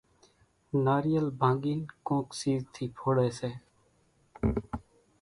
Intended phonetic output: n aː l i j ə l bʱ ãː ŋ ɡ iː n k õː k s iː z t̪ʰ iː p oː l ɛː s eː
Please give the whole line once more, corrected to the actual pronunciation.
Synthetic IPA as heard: n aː ɾ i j ə l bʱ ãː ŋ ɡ iː n k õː k s iː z t̪ʰ iː pʰ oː ɽ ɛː s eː